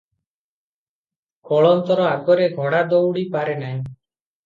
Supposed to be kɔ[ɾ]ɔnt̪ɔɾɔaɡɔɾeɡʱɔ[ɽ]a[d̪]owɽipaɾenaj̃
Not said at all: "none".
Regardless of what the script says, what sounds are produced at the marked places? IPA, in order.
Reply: ɭ, ɽ, d̪

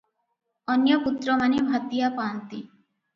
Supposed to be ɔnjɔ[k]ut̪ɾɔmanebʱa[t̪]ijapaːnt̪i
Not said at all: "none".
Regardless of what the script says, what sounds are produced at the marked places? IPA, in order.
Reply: p, t̪

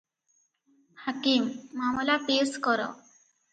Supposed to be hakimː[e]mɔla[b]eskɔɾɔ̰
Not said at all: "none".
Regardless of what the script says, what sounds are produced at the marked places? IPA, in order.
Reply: a, p

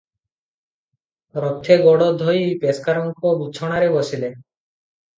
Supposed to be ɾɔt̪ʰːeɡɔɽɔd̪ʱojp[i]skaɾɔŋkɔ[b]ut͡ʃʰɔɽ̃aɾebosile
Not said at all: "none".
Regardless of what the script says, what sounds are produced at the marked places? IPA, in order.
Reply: e, b

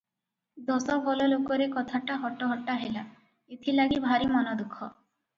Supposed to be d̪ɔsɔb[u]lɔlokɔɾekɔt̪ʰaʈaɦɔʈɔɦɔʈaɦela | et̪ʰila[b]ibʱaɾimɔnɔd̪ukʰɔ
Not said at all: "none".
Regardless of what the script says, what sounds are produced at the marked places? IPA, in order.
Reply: ɔ, ɡ

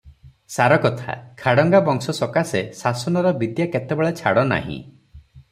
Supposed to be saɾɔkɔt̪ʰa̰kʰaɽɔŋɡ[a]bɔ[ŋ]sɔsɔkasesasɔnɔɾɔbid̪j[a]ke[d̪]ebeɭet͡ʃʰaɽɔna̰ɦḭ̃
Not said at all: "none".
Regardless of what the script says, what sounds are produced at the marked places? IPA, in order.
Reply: a, ŋ, a, t̪

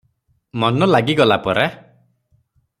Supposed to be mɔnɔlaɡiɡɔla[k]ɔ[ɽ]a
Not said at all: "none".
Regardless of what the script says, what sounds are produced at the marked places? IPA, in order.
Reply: p, ɾ

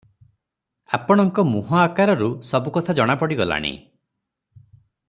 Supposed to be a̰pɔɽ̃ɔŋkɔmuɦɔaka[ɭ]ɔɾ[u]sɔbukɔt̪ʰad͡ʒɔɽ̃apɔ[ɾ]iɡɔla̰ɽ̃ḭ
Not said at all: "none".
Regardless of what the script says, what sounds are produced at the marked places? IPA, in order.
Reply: ɾ, u, ɽ

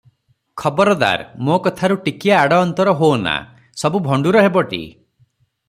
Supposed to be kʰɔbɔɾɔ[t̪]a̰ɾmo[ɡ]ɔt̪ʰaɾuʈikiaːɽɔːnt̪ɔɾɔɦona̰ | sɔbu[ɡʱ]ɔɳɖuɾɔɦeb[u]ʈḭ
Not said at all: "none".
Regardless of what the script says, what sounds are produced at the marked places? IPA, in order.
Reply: d̪, k, bʱ, ɔ

